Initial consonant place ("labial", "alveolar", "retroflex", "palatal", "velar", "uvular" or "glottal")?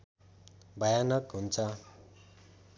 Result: labial